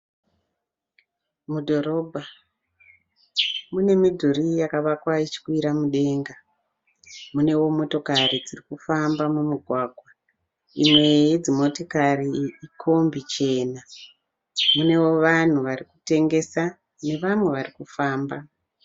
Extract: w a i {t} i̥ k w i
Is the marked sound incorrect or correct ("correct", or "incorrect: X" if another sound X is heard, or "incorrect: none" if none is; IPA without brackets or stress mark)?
incorrect: t͡ʃ